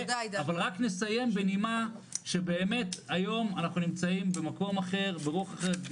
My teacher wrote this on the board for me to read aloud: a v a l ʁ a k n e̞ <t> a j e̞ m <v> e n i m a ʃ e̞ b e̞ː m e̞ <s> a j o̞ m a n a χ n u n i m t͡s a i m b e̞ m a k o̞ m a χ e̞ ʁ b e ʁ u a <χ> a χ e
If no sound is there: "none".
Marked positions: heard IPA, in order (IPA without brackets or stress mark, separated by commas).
s, b, t, χ